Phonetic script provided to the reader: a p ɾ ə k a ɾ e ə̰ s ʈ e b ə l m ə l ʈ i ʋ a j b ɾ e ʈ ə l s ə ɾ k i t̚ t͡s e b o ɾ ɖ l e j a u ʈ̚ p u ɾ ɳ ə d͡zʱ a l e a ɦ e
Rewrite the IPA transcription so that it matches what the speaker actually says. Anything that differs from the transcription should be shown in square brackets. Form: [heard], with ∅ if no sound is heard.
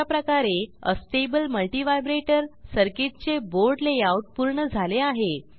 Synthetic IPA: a p ɾ ə k a ɾ e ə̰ s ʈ e b ə l m ə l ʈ i ʋ a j b ɾ e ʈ ə [ɾ] s ə ɾ k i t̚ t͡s e b o ɾ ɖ l e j a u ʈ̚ p u ɾ ɳ ə d͡zʱ a l e a ɦ e